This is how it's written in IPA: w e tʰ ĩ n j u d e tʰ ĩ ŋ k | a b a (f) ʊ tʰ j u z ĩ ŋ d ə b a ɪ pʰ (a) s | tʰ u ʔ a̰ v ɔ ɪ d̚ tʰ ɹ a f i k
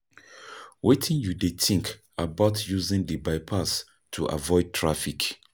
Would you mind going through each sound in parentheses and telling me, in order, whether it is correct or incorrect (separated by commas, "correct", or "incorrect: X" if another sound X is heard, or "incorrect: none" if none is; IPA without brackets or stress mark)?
incorrect: none, correct